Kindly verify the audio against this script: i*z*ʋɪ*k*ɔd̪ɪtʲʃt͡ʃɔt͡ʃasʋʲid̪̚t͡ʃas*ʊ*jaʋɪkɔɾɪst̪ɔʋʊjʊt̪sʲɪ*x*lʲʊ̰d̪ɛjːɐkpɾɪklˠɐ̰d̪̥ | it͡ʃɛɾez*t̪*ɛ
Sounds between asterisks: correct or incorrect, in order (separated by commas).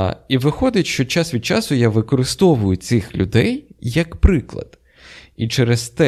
incorrect, incorrect, correct, correct, correct